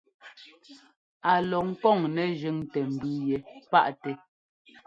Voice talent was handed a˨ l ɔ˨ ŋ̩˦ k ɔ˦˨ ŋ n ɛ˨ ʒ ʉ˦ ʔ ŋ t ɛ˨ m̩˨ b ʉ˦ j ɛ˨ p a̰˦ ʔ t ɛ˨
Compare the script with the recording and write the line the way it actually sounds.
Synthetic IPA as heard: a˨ l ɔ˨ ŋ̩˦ k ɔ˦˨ ŋ n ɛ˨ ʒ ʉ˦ ŋ t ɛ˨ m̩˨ b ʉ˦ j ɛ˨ p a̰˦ ʔ t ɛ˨